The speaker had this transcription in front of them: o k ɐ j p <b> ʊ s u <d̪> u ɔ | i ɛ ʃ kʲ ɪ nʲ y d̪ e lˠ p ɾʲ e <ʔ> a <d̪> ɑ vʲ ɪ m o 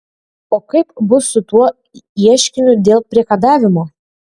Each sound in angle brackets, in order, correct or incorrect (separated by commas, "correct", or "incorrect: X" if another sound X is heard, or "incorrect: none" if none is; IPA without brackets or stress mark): correct, incorrect: t̪, incorrect: k, correct